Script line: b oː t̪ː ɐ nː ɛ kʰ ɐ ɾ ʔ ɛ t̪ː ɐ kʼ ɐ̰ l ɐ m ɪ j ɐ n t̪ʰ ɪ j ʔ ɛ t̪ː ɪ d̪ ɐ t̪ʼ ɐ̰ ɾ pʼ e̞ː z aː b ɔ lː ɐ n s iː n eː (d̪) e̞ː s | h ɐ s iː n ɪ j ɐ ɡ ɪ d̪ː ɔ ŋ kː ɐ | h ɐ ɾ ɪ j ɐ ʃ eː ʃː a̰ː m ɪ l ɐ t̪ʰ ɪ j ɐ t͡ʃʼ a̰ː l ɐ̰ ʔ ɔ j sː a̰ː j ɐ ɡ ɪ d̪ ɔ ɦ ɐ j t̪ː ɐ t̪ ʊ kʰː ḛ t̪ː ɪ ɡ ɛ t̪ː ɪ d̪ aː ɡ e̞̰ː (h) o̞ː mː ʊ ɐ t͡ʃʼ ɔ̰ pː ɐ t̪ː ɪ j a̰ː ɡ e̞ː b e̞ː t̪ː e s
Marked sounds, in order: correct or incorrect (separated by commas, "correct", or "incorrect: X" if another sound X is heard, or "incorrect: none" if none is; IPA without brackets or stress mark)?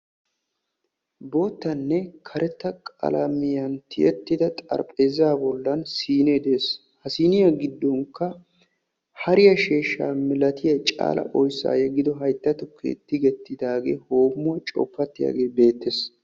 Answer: correct, correct